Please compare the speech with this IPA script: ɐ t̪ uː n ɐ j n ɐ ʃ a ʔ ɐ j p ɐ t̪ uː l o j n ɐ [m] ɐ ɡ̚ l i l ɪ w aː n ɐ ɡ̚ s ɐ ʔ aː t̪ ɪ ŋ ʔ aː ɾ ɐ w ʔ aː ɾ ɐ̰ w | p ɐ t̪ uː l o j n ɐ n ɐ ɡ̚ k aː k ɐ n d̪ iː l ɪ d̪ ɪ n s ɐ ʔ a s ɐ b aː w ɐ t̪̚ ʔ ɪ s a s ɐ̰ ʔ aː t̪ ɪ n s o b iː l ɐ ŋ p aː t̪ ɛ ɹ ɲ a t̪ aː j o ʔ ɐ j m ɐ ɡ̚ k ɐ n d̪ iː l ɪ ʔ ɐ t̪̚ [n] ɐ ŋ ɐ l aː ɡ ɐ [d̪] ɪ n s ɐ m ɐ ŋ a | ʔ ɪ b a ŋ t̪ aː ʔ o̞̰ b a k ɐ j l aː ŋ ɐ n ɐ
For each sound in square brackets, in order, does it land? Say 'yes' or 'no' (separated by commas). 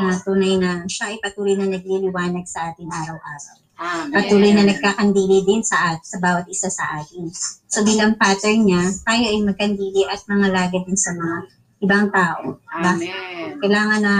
no, no, yes